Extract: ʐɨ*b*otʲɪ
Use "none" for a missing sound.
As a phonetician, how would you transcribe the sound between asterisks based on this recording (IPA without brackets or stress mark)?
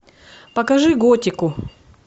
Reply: ɡ